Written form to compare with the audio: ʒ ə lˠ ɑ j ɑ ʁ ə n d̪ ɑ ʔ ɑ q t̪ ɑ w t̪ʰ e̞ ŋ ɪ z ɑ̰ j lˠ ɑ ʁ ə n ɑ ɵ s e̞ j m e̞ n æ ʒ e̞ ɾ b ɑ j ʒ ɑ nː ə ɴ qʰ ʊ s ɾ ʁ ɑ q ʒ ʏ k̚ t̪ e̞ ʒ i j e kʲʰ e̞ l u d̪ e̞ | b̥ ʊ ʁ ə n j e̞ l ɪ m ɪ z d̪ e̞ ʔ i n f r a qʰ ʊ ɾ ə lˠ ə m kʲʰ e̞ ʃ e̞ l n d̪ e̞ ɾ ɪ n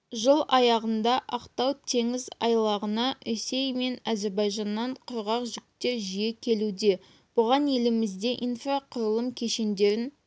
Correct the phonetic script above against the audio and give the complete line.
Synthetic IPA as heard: ʒ ə lˠ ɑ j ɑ ʁ ə n d̪ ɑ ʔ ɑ q t̪ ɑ w t̪ʰ e̞ ŋ ɪ z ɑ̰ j lˠ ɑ ʁ ə n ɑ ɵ s e̞ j m e̞ n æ z e̞ ɾ b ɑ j ʒ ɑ nː ɑ ɴ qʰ ʊ ɾ ʁ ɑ q ʒ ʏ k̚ t̪ e̞ ʒ i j e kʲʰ e̞ l u d̪ e̞ | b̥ ʊ ʁ ɑ n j e̞ l ɪ m ɪ z d̪ e̞ ʔ i n f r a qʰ ʊ ɾ ə lˠ ə m kʲʰ e̞ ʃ e̞ n d̪ e̞ ɾ ɪ n

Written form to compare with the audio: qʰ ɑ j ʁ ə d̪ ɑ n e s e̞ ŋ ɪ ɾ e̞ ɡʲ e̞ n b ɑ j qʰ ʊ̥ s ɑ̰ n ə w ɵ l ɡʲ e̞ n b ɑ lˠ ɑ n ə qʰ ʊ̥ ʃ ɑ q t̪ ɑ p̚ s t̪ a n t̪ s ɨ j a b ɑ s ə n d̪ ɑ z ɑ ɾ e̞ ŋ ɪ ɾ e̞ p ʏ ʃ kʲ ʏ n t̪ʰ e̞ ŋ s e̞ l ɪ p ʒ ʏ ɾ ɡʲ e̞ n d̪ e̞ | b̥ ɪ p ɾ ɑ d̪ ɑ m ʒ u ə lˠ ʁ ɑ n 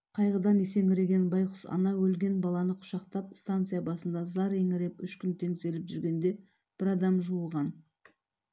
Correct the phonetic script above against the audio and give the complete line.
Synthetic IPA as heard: qʰ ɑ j ʁ ə d̪ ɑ n e s e̞ ŋ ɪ ɾ e̞ ɡʲ e̞ n b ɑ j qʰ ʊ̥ s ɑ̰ n ɑ w ɵ l ɡʲ e̞ n b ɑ lˠ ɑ n ə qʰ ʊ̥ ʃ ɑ q t̪ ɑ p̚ s t̪ a n t̪ s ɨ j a b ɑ s ə n d̪ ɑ z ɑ ɾ e̞ ŋ ɪ ɾ e̞ p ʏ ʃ kʲ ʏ n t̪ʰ e̞ ŋ s e̞ l ɪ p ʒ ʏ ɾ ɡʲ e̞ n d̪ e̞ | b̥ ɪ ɾ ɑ d̪ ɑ m ʒ u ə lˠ ʁ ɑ n

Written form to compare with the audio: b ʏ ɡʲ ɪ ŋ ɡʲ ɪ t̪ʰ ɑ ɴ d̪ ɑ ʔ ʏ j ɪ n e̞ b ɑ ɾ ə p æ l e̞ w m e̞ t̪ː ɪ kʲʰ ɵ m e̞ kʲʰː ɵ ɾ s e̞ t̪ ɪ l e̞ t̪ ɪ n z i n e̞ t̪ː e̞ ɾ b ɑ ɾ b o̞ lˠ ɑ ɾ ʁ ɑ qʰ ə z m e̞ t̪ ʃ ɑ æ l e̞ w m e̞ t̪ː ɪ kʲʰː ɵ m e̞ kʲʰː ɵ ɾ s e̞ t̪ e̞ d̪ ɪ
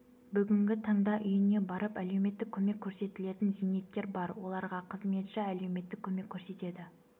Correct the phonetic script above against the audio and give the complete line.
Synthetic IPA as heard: b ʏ ɡʲ ɪ ŋ ɡʲ ɪ t̪ʰ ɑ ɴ d̪ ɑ ʔ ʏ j ɪ n e̞ b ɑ ɾ ə p æ l e̞ w m e̞ t̪ː ɪ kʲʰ ɵ m e̞ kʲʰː ɵ ɾ s e̞ t̪ ɪ l e̞ t̪ ɪ n z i n e̞ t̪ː e̞ ɾ b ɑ ɾ w o̞ lˠ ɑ ɾ ʁ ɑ qʰ ə z m e̞ t̪ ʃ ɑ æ l e̞ w m e̞ t̪ː ɪ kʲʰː ɵ m e̞ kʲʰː ɵ ɾ s e̞ t̪ e̞ d̪ ɪ

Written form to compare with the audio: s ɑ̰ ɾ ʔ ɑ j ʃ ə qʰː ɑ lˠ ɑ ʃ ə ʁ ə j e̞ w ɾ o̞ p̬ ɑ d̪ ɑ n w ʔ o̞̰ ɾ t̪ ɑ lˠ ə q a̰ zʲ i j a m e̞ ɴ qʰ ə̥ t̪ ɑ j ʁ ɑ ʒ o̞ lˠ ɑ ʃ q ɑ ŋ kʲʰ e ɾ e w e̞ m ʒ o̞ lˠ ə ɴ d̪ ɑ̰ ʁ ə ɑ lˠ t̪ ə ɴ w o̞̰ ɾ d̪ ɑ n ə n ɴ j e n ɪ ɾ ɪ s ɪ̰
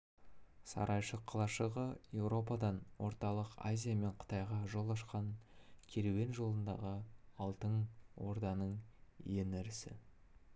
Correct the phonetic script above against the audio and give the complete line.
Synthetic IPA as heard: s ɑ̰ ɾ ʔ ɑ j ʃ ə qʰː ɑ lˠ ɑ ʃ ə ʁ ə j e̞ w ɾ o̞ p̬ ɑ d̪ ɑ n w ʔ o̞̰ ɾ t̪ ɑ lˠ ə q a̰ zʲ i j a m e̞ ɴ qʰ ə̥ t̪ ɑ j ʁ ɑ ʒ o̞ lˠ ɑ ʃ q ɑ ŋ kʲʰ e ɾ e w e̞ n ʒ o̞ lˠ ə n d̪ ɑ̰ ʁ ə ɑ lˠ t̪ ə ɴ w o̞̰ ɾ d̪ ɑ n ə ɴ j e n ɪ ɾ ɪ s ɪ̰

